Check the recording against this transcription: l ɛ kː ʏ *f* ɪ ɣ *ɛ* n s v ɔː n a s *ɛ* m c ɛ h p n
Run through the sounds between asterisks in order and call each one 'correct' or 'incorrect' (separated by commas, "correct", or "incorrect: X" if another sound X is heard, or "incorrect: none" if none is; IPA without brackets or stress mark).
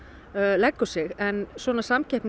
incorrect: s, correct, incorrect: a